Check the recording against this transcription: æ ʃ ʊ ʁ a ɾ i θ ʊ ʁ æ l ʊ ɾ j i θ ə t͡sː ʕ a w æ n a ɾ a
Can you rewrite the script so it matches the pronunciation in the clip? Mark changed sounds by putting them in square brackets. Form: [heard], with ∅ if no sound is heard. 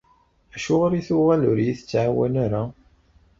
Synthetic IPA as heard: æ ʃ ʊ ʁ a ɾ i θ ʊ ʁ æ l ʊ ɾ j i θ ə t͡sː ʕ a w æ n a ɾ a